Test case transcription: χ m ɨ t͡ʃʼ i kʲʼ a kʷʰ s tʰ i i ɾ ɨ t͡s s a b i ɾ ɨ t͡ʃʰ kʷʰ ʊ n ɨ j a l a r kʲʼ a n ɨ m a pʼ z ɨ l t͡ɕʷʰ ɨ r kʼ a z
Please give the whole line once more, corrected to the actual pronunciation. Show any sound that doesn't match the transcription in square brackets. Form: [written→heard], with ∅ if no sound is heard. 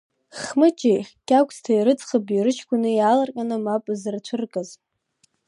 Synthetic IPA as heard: χ m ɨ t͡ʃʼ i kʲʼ a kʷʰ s tʰ [i→a] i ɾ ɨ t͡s [s→χ] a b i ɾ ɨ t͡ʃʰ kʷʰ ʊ n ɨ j a l a r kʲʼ a n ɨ m a pʼ z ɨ [l→r] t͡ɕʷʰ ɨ r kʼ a z